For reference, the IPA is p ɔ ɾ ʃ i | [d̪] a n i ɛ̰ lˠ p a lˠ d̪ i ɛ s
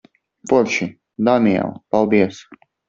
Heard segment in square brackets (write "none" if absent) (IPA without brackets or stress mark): d̪